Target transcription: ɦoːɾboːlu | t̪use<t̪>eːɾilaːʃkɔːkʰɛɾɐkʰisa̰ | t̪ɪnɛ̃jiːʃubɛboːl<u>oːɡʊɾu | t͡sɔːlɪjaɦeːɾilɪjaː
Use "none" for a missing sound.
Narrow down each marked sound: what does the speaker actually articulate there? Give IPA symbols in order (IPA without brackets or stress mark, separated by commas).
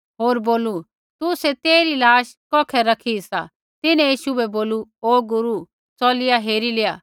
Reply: t̪, u